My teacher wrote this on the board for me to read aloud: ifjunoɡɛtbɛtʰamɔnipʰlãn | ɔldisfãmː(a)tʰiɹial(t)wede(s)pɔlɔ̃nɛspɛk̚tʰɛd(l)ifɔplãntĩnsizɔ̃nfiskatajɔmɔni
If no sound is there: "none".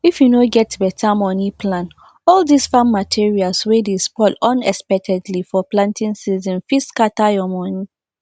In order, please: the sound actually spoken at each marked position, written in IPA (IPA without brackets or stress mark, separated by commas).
a, s, s, l